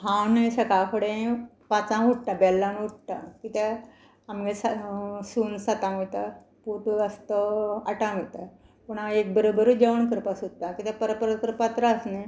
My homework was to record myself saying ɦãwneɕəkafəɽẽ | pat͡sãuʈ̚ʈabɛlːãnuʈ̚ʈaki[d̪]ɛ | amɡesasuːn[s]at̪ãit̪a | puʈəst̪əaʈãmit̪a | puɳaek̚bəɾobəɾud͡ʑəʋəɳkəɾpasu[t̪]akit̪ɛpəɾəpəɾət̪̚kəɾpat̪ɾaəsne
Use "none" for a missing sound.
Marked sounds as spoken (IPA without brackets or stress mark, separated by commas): t̪, s, t̪